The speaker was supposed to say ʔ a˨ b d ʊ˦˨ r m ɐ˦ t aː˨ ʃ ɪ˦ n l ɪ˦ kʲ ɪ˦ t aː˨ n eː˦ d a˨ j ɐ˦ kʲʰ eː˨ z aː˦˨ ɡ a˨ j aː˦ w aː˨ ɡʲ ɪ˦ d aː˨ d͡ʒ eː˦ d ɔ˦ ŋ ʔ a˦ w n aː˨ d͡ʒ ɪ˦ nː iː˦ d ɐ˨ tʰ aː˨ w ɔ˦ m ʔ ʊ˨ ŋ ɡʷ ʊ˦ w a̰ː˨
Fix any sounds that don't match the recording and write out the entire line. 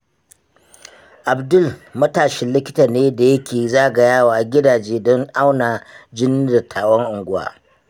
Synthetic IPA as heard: ʔ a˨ b d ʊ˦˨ l m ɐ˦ t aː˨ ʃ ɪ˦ n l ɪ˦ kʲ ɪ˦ t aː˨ n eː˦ d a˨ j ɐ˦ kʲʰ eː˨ z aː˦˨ ɡ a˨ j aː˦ w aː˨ ɡʲ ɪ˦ d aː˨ d͡ʒ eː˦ d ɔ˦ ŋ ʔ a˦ w n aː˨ d͡ʒ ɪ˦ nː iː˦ d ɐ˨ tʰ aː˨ w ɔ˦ ŋ ʔ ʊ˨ ŋ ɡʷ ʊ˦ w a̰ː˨